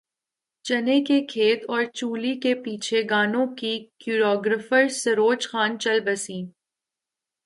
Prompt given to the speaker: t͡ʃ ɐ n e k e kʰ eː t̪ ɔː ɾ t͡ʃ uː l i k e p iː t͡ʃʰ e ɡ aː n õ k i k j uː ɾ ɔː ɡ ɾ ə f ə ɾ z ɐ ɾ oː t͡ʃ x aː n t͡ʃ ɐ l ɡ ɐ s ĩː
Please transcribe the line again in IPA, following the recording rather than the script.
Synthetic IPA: t͡ʃ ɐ n e k e kʰ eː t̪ ɔː ɾ t͡ʃ uː l i k e p iː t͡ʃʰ e ɡ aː n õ k i k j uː ɾ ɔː ɡ ɾ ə f ə ɾ s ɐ ɾ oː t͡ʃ x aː n t͡ʃ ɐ l b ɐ s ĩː

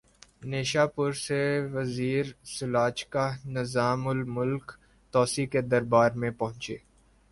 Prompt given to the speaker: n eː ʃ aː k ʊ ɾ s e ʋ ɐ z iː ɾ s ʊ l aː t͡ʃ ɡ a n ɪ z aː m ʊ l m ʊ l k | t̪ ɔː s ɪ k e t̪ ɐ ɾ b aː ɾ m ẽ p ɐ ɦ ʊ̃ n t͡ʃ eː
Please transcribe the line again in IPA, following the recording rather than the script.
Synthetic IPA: n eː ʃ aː p ʊ ɾ s e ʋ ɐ z iː ɾ s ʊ l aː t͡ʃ k a n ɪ z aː m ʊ l m ʊ l k | t̪ ɔː s i k e d̪ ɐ ɾ b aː ɾ m ẽ p ɐ ɦ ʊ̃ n t͡ʃ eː

